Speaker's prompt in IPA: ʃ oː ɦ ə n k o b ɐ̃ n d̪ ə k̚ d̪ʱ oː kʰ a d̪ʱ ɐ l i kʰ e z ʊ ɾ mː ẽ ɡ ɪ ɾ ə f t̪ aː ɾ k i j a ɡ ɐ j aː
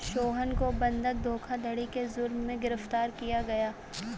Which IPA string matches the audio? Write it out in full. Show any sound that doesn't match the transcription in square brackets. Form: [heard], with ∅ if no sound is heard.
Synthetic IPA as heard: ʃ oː ɦ ə n k o b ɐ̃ n d̪ ə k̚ d̪ʱ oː kʰ a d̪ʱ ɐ [ɽ] i [k] e z ʊ ɾ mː ẽ ɡ ɪ ɾ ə f t̪ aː ɾ k i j a ɡ ɐ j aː